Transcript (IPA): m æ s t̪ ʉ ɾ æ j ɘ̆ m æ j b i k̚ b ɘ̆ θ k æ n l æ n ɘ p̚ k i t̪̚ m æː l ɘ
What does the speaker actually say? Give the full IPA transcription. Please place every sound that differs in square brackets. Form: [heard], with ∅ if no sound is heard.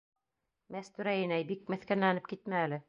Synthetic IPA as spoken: m æ s t̪ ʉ ɾ æ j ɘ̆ [n] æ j b i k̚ [m] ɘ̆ θ k æ n l æ n ɘ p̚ k i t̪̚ m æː l ɘ